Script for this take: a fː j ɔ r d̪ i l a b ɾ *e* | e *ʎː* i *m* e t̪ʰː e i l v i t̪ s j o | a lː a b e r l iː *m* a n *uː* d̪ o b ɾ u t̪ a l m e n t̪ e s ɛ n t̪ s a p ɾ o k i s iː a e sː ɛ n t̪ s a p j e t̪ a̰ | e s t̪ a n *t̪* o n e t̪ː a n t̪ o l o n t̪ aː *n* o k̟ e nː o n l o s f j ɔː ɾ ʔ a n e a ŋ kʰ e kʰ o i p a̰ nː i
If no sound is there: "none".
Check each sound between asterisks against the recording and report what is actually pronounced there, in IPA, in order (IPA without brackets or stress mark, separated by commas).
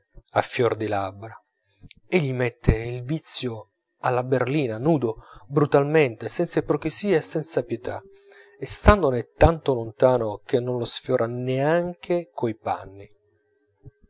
a, ʎː, m, n, uː, d̪, n